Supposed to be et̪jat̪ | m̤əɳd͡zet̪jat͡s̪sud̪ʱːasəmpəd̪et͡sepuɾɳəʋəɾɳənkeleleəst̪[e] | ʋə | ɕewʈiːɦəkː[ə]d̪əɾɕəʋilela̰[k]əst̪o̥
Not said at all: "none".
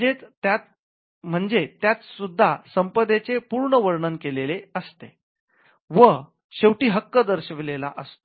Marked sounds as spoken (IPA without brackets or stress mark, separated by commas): e, ə, ʔ